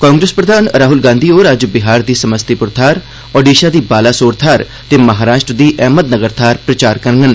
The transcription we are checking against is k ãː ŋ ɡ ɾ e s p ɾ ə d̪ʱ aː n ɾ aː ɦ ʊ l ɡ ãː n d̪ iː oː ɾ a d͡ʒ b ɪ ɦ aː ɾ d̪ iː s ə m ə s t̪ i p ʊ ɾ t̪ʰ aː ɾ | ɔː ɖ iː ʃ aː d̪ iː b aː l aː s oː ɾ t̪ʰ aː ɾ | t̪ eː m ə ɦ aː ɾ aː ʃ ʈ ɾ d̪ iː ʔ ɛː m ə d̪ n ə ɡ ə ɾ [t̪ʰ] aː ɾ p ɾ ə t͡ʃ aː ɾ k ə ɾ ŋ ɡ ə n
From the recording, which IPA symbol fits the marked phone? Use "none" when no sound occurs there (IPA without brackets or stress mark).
t̪ʰ